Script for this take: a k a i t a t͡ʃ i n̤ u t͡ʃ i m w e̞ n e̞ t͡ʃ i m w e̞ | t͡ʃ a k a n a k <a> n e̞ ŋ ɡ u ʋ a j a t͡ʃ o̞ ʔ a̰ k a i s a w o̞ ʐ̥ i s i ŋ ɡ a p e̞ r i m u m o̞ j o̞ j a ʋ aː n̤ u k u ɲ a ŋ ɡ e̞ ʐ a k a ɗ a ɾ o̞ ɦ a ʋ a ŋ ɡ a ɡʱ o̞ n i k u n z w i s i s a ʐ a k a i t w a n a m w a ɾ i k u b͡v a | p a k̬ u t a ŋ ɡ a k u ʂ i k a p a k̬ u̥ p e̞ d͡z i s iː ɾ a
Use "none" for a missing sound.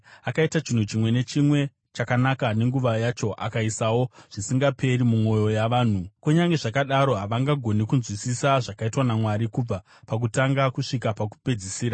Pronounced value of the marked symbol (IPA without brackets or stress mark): a